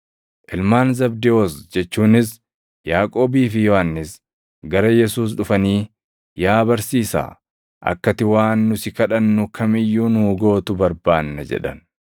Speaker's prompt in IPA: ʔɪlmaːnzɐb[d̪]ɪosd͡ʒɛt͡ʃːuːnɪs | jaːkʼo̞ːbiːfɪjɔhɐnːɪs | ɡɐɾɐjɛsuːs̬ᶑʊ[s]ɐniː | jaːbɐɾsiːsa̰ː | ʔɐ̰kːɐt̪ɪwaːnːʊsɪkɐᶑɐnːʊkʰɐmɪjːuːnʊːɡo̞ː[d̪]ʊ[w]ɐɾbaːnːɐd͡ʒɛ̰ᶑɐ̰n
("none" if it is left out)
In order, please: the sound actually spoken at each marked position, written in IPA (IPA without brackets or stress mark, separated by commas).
d̪, f, t̪, b